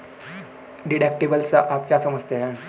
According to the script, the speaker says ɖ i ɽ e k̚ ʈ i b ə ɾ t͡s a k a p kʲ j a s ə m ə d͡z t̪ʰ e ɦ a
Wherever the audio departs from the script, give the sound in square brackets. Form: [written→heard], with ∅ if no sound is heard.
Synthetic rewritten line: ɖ i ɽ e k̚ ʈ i b ə [ɾ→l] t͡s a [k→ʔ] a p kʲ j a s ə m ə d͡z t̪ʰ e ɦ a

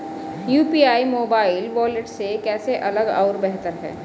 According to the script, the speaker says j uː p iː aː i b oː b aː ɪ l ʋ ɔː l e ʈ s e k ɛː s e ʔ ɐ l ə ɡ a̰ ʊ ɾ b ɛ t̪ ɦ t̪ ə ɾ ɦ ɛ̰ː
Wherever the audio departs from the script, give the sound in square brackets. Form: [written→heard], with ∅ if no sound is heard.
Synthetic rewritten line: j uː p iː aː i [b→m] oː b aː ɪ l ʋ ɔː l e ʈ s e k ɛː s e ʔ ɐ l ə ɡ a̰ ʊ ɾ b ɛ [t̪→∅] ɦ t̪ ə ɾ ɦ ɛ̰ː

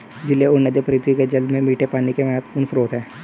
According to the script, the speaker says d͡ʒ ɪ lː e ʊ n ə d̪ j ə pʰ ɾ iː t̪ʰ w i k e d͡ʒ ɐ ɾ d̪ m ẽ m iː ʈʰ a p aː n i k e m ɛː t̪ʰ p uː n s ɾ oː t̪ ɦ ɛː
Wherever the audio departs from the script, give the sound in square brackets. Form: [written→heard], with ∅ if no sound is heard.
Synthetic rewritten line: d͡ʒ ɪ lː e ʊ n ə d̪ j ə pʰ ɾ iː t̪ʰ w i k e d͡ʒ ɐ [ɾ→l] d̪ m ẽ m iː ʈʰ [a→e] p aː n i k e m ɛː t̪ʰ p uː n s ɾ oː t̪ ɦ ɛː

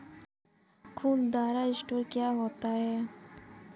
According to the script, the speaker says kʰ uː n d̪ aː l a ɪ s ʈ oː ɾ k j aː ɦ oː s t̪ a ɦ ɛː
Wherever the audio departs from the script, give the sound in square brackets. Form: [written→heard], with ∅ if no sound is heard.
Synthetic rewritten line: kʰ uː n d̪ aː [l→ɾ] a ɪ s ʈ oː ɾ k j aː ɦ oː [s→∅] t̪ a ɦ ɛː

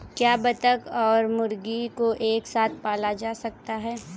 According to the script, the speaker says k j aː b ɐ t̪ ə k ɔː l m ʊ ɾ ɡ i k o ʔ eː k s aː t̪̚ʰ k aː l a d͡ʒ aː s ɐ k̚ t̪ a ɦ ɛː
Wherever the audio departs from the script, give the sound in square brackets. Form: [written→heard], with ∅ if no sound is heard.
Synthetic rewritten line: k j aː b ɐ t̪ ə k ɔː [l→ɾ] m ʊ ɾ ɡ i k o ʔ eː k s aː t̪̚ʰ [k→p] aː l a d͡ʒ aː s ɐ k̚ t̪ a ɦ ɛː

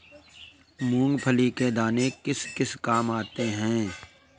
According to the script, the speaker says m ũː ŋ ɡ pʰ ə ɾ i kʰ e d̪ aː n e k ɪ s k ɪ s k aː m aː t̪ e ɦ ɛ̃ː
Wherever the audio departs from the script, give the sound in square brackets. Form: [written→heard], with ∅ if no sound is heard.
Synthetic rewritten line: m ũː ŋ ɡ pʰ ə [ɾ→l] i [kʰ→k] e d̪ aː n e k ɪ s k ɪ s k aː m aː t̪ e ɦ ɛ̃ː

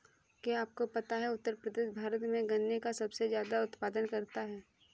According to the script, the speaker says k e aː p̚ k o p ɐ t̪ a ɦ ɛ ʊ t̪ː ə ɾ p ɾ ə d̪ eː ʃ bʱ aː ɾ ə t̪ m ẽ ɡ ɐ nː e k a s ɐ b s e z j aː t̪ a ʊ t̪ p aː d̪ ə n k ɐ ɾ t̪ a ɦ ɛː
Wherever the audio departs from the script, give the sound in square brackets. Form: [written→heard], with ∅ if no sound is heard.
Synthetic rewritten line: k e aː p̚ k o p ɐ t̪ a ɦ ɛ ʊ t̪ː ə ɾ p ɾ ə d̪ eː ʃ bʱ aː ɾ ə t̪ m ẽ ɡ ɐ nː e k a s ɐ b s e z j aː [t̪→d̪] a ʊ t̪ p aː d̪ ə n k ɐ ɾ t̪ a ɦ ɛː

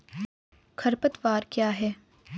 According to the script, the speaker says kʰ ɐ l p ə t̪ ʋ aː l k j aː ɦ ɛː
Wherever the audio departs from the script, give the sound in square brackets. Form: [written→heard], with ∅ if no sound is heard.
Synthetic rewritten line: kʰ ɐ [l→ɾ] p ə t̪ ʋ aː [l→ɾ] k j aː ɦ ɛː

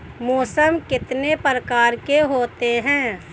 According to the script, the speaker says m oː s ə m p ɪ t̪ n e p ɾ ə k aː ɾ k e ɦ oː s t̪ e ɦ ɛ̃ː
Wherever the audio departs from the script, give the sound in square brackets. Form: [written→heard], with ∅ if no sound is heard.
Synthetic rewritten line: m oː s ə m [p→k] ɪ t̪ n e p ɾ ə k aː ɾ k e ɦ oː [s→∅] t̪ e ɦ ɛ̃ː

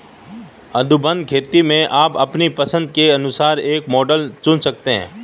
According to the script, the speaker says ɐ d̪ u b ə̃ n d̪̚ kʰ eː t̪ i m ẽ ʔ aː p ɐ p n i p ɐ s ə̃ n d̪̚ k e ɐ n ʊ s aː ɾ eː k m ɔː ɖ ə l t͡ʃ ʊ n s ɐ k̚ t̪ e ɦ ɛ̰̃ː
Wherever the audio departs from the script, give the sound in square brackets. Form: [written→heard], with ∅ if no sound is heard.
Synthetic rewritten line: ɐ d̪ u b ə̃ n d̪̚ kʰ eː t̪ i m ẽ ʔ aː p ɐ p n i p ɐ s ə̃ n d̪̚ k e ɐ n ʊ s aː ɾ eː k m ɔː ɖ ə l t͡ʃ ʊ n s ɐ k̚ t̪ e ɦ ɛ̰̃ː

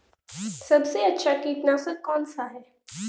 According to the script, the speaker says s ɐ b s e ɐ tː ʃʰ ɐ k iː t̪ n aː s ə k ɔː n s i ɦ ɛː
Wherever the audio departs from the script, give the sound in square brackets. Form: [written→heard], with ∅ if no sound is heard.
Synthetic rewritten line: s ɐ b s e ɐ tː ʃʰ [ɐ→a] k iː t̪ n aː s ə k ɔː n s [i→a] ɦ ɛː

